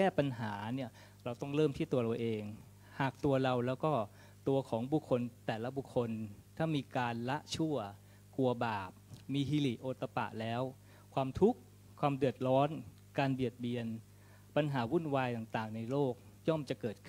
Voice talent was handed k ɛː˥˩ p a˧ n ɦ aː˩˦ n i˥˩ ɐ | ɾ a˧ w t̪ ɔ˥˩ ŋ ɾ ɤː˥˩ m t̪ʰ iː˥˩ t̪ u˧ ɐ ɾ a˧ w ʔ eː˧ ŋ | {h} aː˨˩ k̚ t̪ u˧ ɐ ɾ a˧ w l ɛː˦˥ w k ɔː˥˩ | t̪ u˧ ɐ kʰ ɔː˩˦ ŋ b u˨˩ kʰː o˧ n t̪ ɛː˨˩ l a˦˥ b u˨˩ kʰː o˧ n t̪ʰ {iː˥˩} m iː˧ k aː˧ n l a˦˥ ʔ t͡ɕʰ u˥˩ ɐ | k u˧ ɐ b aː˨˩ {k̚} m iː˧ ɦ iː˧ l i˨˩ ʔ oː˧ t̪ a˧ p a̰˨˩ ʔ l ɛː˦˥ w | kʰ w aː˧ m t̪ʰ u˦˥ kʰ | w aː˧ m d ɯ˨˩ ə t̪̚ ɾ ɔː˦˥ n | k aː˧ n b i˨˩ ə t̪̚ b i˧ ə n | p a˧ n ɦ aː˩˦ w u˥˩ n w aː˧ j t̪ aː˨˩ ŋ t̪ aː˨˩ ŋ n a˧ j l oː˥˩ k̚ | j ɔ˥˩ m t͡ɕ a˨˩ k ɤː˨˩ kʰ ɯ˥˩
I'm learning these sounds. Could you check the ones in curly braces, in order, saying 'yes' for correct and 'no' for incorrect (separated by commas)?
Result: yes, no, no